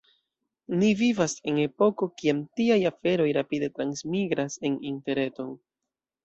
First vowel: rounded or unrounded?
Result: unrounded